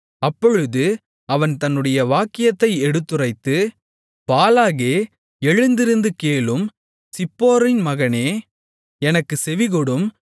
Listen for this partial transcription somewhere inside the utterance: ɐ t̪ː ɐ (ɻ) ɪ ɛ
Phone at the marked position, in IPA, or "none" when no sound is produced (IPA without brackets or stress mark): none